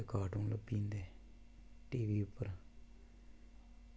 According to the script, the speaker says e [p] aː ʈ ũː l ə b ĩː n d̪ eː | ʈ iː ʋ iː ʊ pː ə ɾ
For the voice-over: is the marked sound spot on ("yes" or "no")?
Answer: no